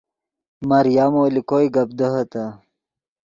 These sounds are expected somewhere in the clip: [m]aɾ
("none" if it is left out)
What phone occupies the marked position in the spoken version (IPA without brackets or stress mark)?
m